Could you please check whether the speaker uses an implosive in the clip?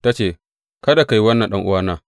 yes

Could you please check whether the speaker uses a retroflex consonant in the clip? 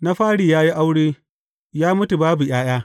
yes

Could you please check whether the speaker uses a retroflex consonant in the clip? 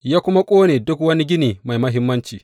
no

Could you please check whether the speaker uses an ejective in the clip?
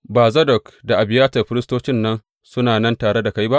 no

